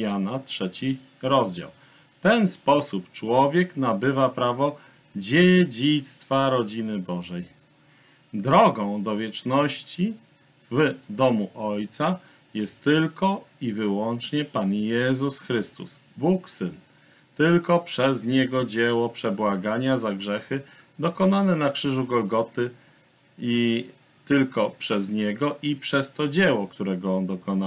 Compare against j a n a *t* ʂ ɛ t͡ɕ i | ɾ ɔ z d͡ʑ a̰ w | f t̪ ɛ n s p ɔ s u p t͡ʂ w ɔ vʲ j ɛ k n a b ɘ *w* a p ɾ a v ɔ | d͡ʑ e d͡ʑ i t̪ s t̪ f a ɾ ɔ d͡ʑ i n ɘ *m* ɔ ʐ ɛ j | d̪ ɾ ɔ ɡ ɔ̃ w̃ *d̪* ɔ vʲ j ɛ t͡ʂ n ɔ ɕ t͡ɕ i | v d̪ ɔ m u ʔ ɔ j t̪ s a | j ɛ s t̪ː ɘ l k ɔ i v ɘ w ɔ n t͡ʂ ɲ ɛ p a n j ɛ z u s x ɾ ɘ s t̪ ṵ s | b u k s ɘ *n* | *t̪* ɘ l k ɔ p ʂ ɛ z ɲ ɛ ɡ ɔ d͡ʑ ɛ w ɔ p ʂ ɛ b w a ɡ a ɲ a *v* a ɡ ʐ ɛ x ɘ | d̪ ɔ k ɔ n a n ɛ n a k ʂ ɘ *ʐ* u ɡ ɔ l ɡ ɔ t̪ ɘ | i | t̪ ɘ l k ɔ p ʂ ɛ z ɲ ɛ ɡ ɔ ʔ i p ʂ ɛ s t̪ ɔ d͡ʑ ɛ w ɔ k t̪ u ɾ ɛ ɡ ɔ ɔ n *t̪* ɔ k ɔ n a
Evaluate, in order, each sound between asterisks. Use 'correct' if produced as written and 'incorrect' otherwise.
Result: correct, incorrect, incorrect, correct, correct, correct, incorrect, correct, incorrect

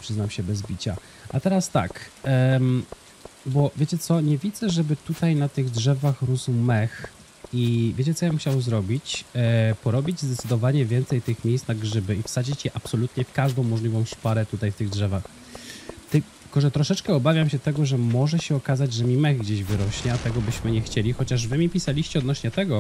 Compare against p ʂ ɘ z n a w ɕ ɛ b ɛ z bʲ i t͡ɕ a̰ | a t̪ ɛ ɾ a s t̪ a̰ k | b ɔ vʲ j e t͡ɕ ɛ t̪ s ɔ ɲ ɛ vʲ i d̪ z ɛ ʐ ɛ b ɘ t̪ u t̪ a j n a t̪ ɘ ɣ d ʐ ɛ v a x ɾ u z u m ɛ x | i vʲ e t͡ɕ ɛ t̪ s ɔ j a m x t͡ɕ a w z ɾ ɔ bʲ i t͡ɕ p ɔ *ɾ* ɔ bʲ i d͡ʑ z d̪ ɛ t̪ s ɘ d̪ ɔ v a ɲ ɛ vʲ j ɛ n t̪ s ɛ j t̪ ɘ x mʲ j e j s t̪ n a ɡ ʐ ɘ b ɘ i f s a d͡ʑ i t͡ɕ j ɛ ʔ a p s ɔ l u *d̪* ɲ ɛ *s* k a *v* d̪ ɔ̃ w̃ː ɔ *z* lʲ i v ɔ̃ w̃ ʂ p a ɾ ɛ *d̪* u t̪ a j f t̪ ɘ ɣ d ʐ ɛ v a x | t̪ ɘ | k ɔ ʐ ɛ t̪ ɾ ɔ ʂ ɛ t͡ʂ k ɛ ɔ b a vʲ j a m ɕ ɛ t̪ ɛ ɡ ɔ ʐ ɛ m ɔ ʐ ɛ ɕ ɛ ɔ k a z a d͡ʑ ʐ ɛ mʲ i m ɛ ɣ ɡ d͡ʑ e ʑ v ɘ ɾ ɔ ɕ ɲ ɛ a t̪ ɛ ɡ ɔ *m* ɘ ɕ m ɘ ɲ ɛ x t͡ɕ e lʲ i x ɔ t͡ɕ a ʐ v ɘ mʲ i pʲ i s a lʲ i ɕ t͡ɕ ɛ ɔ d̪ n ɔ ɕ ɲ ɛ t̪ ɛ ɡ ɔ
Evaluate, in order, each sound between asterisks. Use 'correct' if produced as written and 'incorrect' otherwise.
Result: correct, incorrect, incorrect, incorrect, incorrect, incorrect, incorrect

